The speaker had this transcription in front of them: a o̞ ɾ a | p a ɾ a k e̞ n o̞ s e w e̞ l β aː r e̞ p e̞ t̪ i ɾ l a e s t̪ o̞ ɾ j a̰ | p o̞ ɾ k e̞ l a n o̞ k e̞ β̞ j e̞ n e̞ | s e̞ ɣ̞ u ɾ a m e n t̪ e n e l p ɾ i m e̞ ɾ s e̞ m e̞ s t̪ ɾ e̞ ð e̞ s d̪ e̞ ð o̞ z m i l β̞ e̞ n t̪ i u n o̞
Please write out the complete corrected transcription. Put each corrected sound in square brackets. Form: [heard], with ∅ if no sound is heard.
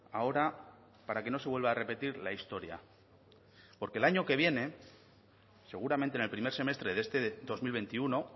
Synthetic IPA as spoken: a o̞ ɾ a | p a ɾ a k e̞ n o̞ s e w e̞ l β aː r e̞ p e̞ t̪ i ɾ l a [i] s t̪ o̞ ɾ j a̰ | p o̞ ɾ k e̞ l a [ɲ] o̞ k e̞ β̞ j e̞ n e̞ | s e̞ ɣ̞ u ɾ a m e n t̪ e n e l p ɾ i m e̞ ɾ s e̞ m e̞ s t̪ ɾ e̞ ð e̞ s [t̪] e̞ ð o̞ z m i l β̞ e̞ n t̪ i u n o̞